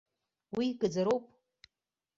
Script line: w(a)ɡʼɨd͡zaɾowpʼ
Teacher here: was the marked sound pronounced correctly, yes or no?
no